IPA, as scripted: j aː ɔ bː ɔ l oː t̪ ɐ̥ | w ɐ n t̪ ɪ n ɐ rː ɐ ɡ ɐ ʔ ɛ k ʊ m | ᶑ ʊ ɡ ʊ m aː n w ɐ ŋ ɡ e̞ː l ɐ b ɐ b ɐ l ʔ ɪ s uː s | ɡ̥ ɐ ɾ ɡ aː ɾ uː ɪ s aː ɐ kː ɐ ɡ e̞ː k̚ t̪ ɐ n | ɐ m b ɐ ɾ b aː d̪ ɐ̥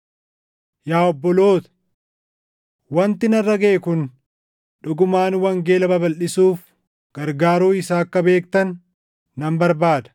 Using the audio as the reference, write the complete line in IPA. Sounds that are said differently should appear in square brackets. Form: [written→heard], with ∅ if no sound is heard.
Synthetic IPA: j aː ɔ bː ɔ l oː t̪ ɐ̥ | w ɐ n t̪ ɪ n ɐ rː ɐ ɡ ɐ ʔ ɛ k ʊ [m→n] | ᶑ ʊ ɡ ʊ m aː n w ɐ ŋ ɡ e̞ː l ɐ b ɐ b ɐ l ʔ ɪ s uː [s→f] | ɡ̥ ɐ ɾ ɡ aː ɾ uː ɪ s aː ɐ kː ɐ [ɡ→b] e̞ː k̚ t̪ ɐ [n→nː] | ɐ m b ɐ ɾ b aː d̪ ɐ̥